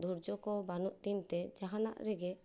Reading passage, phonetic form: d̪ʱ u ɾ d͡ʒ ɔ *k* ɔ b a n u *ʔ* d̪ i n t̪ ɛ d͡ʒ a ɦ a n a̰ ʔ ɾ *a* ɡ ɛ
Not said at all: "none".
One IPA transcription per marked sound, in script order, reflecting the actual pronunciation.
k, ʔ, ɛ

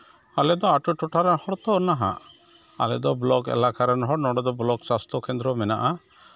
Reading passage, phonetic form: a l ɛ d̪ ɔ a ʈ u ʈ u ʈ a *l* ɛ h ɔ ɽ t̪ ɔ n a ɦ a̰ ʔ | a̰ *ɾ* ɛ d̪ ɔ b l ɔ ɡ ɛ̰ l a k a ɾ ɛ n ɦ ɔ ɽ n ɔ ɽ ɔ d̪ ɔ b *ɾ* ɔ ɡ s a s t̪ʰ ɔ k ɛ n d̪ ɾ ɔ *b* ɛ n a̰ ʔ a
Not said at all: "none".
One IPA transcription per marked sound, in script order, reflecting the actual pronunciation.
ɾ, l, l, m

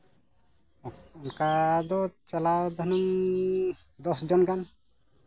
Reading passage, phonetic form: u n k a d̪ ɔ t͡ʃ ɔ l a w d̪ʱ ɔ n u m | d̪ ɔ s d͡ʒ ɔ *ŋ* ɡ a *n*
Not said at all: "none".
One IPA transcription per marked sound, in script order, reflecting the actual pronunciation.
n, n

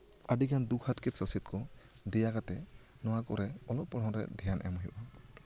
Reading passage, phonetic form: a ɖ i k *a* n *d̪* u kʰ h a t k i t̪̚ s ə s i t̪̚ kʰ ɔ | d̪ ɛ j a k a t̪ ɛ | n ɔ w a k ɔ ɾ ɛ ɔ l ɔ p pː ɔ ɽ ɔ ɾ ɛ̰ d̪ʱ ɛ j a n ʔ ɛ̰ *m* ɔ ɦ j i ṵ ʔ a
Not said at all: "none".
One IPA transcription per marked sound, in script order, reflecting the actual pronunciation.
a, d̪, m

